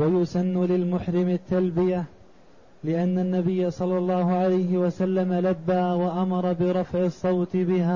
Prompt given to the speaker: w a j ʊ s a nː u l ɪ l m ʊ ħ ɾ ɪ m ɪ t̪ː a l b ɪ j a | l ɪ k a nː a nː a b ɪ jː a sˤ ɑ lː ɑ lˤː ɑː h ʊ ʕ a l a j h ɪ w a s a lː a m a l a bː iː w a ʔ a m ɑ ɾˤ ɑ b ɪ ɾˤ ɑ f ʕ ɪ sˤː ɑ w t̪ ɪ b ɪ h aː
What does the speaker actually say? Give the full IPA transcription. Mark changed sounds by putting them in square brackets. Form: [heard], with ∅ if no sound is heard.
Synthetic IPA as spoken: w a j ʊ s a nː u l ɪ l m ʊ ħ ɾ ɪ m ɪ t̪ː a l b ɪ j a | l ɪ [ʔ] a nː a nː a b ɪ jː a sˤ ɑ lː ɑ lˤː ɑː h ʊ ʕ a l a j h ɪ w a s a lː a m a l a bː [aː] w a ʔ a m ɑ ɾˤ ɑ b ɪ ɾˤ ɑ f ʕ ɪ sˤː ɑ w t̪ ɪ b ɪ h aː